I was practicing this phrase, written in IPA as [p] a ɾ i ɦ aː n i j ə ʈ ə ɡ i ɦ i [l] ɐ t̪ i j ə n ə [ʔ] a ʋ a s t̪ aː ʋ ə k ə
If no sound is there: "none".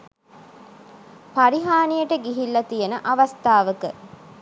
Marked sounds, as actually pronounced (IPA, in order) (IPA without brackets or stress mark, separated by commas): p, lː, ʔ